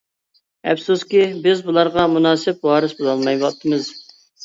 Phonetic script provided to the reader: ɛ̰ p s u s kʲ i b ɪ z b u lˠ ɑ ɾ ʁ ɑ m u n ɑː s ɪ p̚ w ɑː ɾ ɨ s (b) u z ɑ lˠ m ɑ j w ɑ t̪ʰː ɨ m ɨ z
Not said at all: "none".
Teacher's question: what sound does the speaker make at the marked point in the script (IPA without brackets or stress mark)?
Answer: b